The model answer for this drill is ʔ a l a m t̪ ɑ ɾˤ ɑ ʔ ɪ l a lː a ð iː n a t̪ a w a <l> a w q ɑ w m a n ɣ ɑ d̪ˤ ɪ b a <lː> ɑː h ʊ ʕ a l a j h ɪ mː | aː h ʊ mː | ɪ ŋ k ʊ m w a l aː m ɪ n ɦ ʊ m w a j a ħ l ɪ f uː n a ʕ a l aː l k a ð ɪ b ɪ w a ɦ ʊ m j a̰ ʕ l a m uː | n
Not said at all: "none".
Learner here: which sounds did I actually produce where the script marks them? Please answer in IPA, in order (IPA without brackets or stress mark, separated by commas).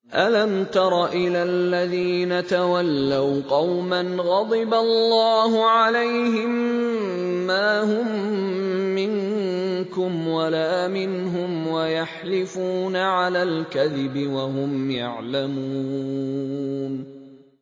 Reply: lː, lː